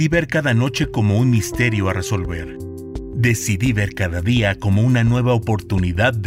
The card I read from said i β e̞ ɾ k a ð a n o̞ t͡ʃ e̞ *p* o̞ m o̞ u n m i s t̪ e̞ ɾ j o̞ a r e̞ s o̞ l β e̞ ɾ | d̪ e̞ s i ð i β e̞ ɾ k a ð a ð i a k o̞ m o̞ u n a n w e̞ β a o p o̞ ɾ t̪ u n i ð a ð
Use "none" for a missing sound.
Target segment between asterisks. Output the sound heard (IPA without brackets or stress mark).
k